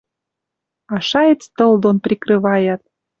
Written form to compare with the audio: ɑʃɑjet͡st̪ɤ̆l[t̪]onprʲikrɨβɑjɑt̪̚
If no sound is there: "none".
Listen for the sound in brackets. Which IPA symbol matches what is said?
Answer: d̪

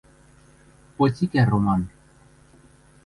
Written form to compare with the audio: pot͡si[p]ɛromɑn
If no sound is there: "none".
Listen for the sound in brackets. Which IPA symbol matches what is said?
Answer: k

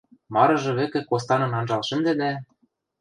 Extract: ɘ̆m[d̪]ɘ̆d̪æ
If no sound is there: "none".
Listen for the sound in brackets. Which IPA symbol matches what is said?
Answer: d̪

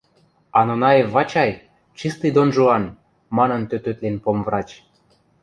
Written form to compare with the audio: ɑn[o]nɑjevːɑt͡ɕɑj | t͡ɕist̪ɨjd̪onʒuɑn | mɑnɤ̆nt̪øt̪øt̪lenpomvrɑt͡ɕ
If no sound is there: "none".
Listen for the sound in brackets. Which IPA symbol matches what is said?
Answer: o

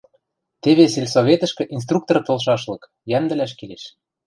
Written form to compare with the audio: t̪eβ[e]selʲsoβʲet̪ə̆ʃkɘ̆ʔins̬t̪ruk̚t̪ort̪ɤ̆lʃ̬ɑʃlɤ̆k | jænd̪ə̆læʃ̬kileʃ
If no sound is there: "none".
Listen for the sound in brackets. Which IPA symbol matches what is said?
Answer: e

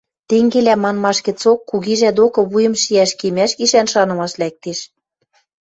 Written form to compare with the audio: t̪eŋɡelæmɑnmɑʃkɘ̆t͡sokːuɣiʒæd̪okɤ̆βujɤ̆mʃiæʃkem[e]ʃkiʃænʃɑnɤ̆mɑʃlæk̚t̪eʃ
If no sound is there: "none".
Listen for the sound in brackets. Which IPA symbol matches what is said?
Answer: æ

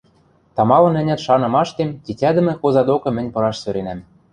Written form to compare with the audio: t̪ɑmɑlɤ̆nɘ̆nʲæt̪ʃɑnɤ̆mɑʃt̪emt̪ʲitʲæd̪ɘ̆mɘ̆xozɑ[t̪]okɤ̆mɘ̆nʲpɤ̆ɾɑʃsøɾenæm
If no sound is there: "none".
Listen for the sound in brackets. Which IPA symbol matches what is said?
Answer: d̪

